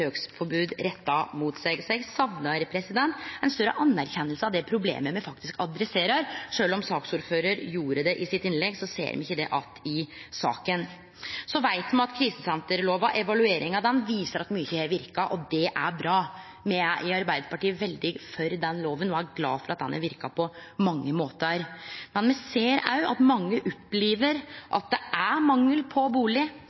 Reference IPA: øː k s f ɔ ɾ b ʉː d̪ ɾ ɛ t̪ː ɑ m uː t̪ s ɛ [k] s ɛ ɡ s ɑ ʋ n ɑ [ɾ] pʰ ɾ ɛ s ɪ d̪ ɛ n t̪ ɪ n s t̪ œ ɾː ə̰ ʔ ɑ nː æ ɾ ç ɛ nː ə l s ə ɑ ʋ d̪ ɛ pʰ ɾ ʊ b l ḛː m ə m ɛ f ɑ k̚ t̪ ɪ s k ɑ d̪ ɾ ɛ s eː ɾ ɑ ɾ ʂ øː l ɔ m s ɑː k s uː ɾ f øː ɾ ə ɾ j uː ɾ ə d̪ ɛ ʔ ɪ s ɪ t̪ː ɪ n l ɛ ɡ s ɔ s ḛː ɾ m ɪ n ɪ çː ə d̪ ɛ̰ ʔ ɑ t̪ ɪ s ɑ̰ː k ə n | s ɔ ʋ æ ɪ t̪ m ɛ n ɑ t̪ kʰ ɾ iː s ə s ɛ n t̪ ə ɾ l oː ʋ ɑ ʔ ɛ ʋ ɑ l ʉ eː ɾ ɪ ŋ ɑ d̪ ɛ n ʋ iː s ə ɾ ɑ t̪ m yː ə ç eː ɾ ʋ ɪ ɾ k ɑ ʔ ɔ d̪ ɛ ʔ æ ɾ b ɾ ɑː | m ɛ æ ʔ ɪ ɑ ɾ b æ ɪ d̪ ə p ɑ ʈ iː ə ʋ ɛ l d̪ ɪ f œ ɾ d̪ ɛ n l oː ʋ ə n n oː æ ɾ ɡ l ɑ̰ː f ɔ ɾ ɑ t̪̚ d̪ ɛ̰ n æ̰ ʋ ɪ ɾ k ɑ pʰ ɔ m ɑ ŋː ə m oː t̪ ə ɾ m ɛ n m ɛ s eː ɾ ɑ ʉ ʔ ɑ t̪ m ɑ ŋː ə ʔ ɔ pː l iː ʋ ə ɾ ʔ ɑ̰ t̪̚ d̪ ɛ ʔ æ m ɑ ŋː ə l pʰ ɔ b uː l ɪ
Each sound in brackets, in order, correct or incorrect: incorrect: ɡ, correct

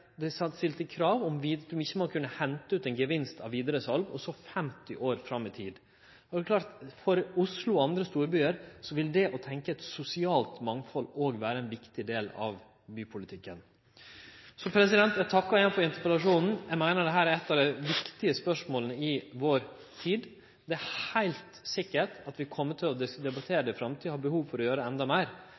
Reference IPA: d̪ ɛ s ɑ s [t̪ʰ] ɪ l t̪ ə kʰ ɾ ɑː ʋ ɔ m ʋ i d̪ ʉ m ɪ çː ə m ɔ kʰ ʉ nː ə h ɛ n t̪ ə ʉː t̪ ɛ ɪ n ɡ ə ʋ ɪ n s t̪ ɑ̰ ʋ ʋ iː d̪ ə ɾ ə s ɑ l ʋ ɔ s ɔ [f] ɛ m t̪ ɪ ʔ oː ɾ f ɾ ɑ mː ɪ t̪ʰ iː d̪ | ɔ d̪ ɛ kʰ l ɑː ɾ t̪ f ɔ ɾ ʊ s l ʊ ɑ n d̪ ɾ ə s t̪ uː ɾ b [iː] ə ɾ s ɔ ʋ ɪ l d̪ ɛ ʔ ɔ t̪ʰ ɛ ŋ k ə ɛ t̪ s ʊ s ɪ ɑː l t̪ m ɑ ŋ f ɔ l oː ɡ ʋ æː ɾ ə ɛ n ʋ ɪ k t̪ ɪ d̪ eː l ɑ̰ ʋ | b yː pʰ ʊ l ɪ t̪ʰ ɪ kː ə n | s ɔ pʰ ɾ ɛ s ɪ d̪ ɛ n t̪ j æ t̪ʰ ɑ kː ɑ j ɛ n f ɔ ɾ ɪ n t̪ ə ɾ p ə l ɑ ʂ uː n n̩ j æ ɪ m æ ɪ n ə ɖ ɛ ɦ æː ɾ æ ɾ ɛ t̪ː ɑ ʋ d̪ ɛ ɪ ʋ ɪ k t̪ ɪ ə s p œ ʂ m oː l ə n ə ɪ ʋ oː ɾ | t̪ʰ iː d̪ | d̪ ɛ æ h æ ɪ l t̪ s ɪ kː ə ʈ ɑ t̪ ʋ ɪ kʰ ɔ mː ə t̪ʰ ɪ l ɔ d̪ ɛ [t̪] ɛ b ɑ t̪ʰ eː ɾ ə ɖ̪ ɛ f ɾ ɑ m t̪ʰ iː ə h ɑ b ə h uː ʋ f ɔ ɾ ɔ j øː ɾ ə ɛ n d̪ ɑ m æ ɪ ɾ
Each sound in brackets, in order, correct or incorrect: incorrect: t̪, correct, incorrect: yː, incorrect: d̪

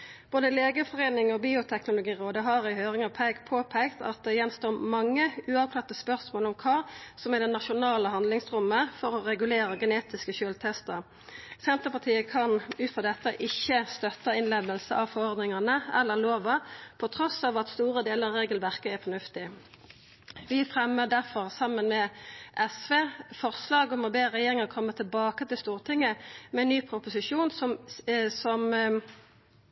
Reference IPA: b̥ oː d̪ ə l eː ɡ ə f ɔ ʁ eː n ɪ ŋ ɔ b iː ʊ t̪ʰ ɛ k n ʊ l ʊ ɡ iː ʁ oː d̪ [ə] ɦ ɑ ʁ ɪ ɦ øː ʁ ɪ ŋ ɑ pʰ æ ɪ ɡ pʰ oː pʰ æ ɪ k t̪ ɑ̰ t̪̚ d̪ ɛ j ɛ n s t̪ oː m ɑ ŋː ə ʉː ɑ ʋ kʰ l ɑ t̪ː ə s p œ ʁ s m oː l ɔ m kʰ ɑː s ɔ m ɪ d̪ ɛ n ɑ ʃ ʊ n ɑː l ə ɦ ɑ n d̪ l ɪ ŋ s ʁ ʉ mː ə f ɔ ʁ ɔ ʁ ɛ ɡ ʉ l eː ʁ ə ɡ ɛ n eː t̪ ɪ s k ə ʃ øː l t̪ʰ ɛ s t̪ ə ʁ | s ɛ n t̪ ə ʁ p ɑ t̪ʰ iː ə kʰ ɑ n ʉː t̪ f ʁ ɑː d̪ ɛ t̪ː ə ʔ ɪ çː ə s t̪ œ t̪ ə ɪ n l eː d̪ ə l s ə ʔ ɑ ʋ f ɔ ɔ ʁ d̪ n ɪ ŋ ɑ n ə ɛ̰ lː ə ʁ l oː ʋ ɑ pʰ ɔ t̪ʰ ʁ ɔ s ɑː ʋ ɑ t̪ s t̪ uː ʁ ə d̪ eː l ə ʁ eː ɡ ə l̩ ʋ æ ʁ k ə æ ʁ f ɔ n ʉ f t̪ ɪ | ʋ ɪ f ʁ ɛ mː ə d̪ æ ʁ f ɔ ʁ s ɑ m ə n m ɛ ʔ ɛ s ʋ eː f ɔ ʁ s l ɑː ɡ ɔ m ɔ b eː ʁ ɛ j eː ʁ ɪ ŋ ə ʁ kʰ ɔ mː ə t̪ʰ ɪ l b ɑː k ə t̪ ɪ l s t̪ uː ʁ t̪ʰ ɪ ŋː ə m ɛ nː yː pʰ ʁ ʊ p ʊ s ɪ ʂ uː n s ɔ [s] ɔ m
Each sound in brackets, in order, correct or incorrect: correct, correct

